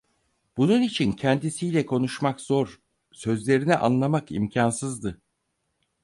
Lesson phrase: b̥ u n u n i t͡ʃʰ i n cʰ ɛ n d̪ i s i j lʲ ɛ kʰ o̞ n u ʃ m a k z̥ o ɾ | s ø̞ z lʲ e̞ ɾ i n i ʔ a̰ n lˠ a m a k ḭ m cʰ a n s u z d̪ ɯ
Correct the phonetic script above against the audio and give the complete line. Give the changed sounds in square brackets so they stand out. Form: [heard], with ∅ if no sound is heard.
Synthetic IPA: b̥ u n u n i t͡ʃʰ i n cʰ ɛ n d̪ i s i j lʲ ɛ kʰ o̞ n u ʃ m a k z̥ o ɾ | s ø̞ z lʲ e̞ ɾ i n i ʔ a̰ n lˠ a m a k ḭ m cʰ a n s [ɯ] z d̪ ɯ